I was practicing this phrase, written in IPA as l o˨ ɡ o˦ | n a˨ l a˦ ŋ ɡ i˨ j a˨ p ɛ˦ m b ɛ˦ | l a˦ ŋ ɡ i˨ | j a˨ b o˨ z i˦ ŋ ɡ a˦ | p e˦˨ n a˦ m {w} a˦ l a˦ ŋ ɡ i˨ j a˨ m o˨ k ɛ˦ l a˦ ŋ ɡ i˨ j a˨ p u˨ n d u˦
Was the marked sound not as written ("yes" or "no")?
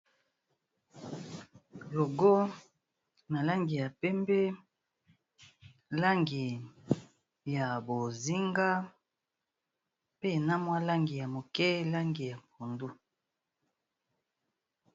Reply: no